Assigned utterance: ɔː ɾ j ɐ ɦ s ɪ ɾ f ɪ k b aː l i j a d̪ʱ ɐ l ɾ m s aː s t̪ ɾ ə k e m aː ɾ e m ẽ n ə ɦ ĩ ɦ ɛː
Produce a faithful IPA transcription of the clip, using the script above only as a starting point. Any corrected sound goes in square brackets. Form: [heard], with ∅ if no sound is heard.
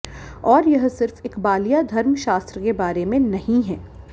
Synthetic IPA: ɔː ɾ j ɐ ɦ s ɪ ɾ f ɪ k b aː l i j a d̪ʱ ɐ [∅] ɾ m [ʃ] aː s t̪ ɾ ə k e [b] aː ɾ e m ẽ n [ɐ] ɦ ĩ ɦ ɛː